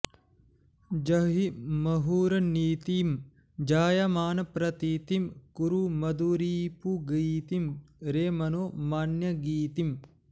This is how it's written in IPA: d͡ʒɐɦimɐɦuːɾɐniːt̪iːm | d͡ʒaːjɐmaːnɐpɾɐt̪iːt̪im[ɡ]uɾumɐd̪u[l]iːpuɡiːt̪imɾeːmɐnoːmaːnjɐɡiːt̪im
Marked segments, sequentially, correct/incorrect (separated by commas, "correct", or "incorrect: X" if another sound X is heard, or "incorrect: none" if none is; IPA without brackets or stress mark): incorrect: k, incorrect: ɾ